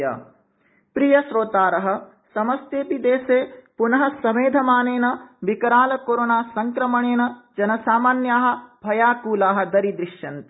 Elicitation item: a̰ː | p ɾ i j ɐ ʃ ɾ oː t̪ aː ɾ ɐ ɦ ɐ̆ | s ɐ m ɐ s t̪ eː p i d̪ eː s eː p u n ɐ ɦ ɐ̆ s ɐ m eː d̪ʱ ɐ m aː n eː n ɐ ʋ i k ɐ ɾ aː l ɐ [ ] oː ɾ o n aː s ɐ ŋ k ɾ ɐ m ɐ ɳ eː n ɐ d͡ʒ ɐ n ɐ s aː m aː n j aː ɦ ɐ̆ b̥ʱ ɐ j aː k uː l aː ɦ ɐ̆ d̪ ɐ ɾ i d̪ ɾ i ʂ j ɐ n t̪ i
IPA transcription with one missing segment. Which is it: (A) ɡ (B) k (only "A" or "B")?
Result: B